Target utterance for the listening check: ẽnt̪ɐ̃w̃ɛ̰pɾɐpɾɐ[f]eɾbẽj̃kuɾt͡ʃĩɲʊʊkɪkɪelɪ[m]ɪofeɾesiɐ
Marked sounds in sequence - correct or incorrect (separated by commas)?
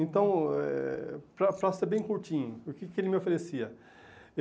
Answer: incorrect, correct